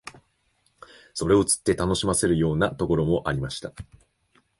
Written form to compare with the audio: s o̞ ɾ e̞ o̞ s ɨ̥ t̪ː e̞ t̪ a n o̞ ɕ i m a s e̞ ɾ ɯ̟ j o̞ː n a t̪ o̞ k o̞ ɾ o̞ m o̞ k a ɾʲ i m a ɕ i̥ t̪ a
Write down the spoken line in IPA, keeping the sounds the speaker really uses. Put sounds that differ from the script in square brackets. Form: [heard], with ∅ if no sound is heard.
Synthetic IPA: s o̞ ɾ e̞ o̞ [t͡s] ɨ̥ t̪ː e̞ t̪ a n o̞ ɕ i m a s e̞ ɾ ɯ̟ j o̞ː n a t̪ o̞ k o̞ ɾ o̞ m o̞ [ʔ] a ɾʲ i m a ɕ i̥ t̪ a